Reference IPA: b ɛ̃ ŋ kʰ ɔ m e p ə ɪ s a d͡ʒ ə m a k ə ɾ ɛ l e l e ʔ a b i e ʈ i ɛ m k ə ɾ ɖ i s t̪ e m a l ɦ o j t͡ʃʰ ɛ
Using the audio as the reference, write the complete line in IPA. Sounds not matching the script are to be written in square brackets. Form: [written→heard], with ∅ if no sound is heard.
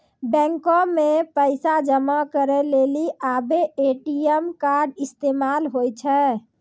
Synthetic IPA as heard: b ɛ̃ ŋ [kʰ→k] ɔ m e p ə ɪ s a d͡ʒ ə m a k ə ɾ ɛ l e l [e→i] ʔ a b [i→e] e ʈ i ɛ m k [ə→a] ɾ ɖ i s t̪ e m a l ɦ o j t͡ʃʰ ɛ